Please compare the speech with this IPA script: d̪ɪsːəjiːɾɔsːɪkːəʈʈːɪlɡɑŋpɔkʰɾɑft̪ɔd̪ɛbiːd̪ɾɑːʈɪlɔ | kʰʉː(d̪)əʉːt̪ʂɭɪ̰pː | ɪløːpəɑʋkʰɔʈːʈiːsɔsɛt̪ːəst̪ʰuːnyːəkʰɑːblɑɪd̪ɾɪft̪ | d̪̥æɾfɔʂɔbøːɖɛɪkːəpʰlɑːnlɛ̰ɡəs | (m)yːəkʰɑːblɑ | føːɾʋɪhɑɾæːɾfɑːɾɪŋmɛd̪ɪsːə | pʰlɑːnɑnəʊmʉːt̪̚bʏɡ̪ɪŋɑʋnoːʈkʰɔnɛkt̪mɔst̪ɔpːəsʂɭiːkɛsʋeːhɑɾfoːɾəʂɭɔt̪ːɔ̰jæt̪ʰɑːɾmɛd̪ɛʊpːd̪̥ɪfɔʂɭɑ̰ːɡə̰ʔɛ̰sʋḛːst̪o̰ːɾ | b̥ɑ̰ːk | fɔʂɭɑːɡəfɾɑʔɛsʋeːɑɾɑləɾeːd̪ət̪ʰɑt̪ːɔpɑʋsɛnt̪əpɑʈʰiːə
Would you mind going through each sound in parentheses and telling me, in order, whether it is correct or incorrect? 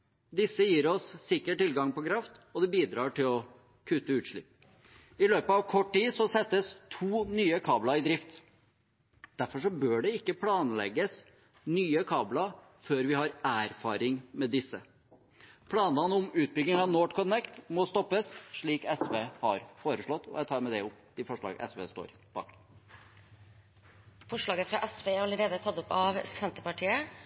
incorrect, incorrect

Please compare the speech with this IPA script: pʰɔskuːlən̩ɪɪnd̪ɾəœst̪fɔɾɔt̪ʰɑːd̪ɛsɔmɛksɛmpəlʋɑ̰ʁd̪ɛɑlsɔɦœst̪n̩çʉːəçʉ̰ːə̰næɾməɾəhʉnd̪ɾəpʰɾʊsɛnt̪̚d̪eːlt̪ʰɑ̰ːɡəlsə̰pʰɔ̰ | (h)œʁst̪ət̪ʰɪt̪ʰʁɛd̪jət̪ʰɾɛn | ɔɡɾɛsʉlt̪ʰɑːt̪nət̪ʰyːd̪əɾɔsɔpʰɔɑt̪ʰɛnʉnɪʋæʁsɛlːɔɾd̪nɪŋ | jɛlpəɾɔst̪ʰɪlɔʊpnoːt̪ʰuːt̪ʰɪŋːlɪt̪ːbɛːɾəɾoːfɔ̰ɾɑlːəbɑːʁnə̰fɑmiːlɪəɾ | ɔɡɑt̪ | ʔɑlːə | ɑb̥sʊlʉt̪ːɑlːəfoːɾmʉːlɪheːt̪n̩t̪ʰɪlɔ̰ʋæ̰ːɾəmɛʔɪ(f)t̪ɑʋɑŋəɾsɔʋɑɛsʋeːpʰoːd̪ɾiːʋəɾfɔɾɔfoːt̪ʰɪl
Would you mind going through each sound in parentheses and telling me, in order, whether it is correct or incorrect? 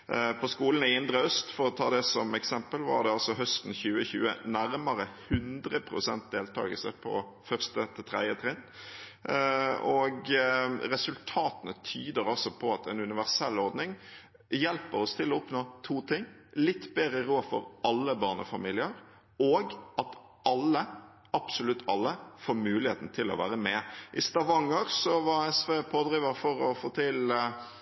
incorrect, incorrect

